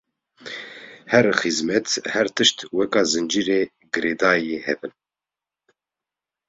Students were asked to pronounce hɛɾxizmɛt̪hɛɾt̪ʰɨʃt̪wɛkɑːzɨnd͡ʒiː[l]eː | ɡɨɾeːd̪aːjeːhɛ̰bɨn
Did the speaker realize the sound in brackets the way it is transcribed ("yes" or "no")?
no